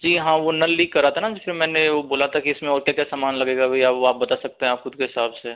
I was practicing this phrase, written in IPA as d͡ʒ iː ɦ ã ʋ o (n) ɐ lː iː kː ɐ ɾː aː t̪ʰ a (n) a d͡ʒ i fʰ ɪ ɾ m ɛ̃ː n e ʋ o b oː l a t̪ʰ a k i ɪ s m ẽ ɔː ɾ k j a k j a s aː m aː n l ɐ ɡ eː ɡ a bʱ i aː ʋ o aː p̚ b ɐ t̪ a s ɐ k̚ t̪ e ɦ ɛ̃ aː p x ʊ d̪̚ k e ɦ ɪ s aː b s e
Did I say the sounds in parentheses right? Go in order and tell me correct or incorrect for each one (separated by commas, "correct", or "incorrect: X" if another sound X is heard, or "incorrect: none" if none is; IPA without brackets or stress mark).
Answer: correct, correct